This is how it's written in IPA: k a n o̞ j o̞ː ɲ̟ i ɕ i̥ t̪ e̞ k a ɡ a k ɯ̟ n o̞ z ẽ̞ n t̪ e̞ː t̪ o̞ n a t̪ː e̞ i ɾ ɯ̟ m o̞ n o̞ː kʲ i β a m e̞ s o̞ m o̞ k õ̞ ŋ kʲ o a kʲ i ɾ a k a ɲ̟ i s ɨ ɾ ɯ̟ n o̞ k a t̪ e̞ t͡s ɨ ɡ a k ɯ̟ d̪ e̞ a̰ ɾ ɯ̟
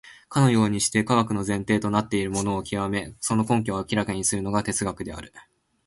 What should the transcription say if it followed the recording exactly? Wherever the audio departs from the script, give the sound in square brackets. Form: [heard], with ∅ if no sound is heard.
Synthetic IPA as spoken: k a n o̞ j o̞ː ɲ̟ i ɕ i̥ t̪ e̞ k a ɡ a k ɯ̟ n o̞ z ẽ̞ n t̪ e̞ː t̪ o̞ n a t̪ː e̞ i ɾ ɯ̟ m o̞ n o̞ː kʲ i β a m e̞ s o̞ [n] o̞ k õ̞ ŋ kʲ o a kʲ i ɾ a k a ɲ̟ i s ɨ ɾ ɯ̟ n o̞ [ɡ] a t̪ e̞ t͡s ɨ ɡ a k ɯ̟ d̪ e̞ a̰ ɾ ɯ̟